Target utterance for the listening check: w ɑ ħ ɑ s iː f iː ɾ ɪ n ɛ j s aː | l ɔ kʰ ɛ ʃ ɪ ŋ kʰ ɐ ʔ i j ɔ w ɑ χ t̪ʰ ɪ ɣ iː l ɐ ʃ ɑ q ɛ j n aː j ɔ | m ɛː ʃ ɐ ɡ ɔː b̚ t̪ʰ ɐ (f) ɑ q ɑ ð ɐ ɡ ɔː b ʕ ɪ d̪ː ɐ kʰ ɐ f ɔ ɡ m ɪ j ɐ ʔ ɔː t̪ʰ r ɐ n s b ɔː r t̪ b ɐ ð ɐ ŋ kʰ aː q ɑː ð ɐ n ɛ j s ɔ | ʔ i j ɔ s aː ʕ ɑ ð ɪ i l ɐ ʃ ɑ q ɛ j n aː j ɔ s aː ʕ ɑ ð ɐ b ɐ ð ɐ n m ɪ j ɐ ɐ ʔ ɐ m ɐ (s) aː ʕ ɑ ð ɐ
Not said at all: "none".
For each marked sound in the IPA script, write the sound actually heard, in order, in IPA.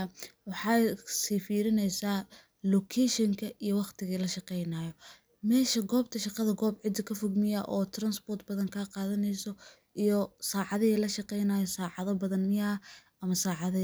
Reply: ʃ, s

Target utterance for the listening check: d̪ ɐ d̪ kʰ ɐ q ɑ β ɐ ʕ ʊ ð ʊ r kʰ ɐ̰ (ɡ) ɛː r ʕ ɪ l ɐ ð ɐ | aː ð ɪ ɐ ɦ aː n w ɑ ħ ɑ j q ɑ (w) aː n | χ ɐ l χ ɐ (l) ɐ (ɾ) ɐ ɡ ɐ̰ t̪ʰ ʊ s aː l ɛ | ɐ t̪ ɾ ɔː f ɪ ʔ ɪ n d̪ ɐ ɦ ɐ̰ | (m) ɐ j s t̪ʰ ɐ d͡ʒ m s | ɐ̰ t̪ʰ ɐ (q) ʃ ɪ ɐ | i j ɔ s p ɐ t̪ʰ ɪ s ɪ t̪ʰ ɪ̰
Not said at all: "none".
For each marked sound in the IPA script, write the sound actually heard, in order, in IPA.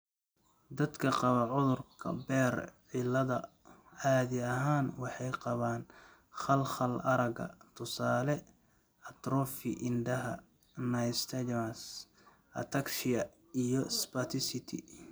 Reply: b, β, l, ɾ, n, k

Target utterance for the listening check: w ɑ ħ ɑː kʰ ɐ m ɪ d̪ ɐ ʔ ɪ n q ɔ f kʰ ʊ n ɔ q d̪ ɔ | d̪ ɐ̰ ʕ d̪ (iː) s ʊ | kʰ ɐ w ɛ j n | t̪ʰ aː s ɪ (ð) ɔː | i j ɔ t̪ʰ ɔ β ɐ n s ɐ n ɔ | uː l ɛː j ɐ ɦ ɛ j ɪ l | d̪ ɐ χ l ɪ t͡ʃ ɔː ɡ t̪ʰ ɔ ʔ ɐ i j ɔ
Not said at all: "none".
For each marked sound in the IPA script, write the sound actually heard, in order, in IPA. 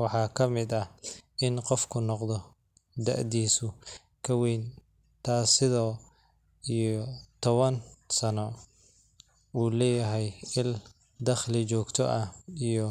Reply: iː, ð

